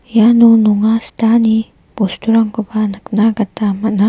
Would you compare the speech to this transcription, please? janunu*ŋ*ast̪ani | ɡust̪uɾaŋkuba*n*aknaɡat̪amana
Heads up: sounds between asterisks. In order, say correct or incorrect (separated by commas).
correct, correct